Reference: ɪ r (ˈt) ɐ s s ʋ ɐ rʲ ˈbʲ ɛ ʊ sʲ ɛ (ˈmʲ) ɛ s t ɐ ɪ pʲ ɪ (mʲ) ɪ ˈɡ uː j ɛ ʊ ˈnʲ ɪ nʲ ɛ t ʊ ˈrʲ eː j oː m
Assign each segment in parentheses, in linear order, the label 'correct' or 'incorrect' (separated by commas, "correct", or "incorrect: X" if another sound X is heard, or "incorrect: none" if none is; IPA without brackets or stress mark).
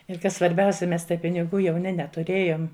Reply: incorrect: k, correct, incorrect: nʲ